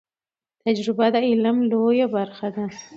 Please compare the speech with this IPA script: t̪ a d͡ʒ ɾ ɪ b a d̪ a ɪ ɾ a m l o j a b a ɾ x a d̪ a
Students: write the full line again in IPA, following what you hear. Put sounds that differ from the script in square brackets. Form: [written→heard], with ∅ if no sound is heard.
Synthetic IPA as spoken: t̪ a d͡ʒ ɾ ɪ b a d̪ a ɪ [ɾ→l] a m l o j a b a ɾ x a d̪ a